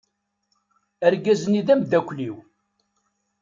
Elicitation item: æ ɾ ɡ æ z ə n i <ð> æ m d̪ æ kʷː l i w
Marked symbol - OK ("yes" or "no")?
yes